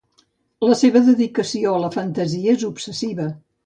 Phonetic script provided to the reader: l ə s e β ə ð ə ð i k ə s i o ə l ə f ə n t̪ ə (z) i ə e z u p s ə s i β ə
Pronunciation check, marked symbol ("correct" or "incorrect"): correct